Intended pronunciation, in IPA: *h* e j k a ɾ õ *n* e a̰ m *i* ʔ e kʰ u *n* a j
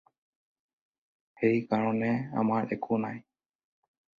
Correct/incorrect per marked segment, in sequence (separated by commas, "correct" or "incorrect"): correct, correct, incorrect, correct